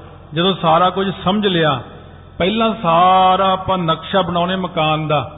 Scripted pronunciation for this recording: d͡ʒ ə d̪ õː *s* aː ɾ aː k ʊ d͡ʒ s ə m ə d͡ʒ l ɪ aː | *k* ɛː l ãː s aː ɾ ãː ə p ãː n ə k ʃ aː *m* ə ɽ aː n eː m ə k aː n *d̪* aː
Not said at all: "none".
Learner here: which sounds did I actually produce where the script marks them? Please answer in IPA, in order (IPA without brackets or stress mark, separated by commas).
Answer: s, p, b, d̪